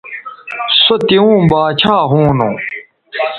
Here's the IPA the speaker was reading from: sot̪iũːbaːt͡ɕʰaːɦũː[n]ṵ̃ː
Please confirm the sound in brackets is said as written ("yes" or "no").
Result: yes